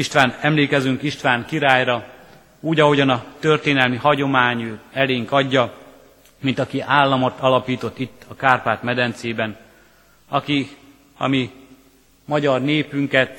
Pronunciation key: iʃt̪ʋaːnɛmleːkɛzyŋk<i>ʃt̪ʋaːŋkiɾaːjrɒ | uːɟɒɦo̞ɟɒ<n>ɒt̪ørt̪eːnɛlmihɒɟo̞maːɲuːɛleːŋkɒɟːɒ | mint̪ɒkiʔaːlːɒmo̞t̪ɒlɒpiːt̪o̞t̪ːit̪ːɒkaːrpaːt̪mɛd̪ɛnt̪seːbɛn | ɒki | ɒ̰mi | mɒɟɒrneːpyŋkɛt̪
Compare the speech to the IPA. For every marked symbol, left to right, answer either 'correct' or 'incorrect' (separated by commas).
correct, correct